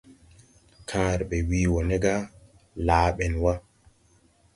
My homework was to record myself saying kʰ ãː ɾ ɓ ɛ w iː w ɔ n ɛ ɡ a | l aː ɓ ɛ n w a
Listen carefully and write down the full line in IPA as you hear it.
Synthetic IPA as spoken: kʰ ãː ɾ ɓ ɛ w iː w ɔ n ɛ ɡ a | l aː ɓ ɛ n w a